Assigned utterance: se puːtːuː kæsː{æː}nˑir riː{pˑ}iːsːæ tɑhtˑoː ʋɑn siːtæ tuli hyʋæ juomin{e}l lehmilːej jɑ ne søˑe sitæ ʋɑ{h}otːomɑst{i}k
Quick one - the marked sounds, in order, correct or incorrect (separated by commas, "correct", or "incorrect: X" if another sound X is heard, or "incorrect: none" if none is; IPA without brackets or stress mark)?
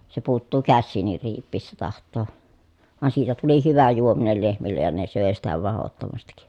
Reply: incorrect: iː, correct, correct, correct, correct